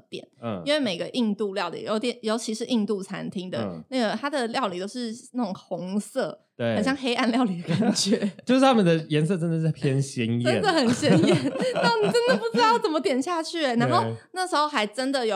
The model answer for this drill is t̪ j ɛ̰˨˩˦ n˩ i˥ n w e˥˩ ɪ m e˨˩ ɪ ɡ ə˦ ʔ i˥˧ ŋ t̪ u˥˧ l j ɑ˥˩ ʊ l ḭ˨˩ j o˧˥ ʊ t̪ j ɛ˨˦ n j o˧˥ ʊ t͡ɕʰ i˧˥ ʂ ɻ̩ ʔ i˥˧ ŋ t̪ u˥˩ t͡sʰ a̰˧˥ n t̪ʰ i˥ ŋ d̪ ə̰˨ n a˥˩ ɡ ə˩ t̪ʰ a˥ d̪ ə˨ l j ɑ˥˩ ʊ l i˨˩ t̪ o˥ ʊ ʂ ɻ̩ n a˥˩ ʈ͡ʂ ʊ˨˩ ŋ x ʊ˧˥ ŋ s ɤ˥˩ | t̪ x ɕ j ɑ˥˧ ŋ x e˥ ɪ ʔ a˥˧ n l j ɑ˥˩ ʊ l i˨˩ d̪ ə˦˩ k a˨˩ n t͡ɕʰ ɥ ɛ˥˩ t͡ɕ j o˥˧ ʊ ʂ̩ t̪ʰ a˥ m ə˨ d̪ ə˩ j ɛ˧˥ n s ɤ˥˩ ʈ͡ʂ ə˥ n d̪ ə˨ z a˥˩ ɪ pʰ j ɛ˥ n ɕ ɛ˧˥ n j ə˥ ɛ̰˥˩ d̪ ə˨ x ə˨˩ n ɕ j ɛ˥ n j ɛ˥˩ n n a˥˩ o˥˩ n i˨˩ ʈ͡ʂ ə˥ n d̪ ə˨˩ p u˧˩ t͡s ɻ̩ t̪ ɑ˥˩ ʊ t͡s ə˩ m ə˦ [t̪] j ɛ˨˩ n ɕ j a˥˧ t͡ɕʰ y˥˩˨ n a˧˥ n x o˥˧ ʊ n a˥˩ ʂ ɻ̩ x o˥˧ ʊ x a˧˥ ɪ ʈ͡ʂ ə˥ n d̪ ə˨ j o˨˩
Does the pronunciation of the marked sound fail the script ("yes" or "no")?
no